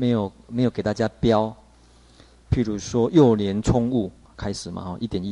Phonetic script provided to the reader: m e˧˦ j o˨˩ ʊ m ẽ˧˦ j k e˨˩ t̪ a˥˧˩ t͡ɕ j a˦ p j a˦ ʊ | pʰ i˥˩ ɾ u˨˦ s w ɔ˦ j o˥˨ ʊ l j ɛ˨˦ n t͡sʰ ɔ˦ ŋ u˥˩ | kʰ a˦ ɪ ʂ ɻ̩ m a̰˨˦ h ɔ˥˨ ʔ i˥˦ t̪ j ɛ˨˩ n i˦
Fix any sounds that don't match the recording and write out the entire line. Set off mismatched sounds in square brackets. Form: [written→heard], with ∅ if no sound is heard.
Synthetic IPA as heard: m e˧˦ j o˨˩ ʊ m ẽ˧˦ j k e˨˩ t̪ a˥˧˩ t͡ɕ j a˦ p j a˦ ʊ | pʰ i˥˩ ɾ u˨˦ s w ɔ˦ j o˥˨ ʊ l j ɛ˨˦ n t͡sʰ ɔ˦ ŋ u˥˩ | kʰ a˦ ɪ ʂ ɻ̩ m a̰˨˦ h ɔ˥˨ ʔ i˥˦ t̪ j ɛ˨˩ n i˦